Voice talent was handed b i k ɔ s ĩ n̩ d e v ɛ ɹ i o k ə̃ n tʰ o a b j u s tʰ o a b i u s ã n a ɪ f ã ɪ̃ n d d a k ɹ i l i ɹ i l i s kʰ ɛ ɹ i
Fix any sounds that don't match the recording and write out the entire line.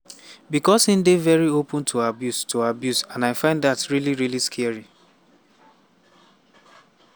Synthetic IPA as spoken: b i k ɔ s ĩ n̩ d e v ɛ ɹ i o p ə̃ n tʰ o a b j u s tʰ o a b j u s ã n a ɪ f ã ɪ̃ n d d a t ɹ i l i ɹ i l i s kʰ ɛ ɹ i